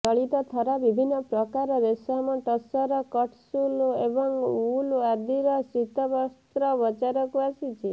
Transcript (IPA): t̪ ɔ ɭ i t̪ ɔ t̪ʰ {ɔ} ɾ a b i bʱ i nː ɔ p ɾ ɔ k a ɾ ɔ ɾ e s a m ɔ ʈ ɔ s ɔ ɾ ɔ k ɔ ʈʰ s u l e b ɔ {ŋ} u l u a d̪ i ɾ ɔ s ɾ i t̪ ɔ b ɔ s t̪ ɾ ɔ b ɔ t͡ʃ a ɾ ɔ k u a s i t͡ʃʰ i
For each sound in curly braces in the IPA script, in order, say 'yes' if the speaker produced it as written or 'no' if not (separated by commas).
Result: yes, yes